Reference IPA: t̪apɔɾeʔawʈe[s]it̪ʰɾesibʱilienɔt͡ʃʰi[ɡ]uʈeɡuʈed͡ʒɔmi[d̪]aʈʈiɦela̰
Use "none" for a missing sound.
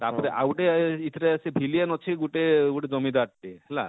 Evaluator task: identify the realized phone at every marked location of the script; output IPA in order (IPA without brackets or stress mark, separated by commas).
none, ɡ, d̪